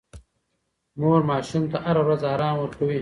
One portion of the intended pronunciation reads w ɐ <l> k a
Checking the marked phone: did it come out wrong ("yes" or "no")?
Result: yes